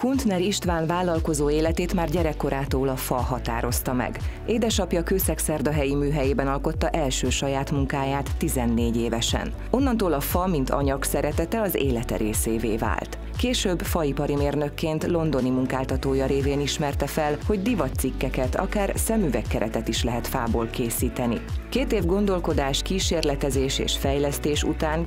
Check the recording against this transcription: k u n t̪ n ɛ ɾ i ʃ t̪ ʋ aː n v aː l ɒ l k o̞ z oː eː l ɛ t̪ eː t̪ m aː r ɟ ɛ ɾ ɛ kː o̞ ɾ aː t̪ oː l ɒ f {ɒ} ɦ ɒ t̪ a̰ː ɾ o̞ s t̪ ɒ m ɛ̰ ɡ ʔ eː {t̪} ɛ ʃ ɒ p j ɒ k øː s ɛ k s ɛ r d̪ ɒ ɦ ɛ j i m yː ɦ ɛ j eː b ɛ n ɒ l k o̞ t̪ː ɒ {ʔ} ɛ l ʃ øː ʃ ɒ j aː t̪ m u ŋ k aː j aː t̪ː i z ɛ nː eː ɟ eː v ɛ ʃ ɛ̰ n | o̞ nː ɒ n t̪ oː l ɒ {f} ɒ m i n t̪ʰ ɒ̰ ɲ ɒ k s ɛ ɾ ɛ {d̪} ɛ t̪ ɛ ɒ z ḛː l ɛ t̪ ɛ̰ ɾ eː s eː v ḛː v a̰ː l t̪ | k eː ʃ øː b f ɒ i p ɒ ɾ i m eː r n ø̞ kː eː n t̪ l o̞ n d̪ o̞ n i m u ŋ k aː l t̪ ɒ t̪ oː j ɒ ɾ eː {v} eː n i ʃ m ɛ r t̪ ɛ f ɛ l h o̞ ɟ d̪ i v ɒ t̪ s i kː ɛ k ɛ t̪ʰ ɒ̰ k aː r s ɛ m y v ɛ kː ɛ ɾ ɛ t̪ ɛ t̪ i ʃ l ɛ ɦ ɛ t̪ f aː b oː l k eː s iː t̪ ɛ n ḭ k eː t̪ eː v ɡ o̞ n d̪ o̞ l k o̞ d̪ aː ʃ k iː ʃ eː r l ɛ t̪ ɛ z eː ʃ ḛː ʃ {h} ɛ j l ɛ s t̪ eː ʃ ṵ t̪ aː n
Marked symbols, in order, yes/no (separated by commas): yes, no, yes, yes, no, yes, no